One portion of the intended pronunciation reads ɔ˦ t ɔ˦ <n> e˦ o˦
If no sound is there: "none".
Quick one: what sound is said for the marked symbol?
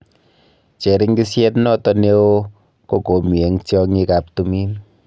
n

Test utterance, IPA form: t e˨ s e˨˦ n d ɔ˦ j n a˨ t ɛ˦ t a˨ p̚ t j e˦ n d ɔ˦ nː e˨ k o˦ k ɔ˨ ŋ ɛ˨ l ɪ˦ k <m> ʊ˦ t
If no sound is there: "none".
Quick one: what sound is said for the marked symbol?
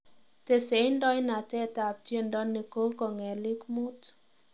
m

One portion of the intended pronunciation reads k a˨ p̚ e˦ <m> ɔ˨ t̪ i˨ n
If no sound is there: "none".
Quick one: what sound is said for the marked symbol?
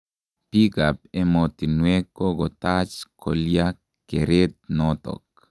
m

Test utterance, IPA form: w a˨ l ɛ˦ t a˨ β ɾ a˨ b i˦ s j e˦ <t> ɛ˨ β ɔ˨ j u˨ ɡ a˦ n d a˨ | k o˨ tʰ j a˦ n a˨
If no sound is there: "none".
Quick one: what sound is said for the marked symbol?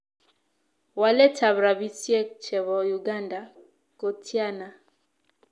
t͡ʃ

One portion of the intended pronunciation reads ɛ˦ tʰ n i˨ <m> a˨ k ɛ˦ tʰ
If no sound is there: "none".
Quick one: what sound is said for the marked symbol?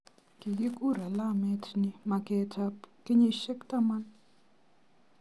m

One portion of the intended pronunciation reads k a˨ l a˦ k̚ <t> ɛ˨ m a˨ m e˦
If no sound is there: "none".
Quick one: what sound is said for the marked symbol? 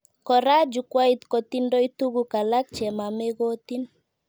t͡ʃ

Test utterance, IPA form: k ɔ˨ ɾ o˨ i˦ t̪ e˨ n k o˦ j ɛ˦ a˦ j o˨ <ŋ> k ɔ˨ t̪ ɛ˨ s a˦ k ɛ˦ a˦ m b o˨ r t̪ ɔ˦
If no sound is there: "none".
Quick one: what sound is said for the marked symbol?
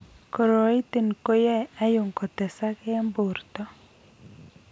ŋ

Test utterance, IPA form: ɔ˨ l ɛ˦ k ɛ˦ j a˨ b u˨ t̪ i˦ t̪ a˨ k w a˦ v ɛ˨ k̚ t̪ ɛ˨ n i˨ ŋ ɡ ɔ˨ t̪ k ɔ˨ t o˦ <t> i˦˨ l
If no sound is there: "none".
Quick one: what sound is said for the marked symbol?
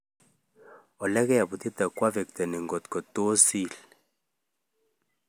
s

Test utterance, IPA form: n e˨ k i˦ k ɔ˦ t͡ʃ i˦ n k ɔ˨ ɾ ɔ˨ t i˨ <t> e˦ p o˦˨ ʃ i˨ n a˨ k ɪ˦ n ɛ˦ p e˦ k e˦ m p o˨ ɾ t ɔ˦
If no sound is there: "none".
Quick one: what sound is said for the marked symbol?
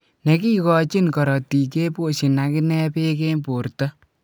k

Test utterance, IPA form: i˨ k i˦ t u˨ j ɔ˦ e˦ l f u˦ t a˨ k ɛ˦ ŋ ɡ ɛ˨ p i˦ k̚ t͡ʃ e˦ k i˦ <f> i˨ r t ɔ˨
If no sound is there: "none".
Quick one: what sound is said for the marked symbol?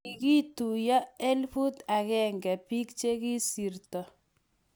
s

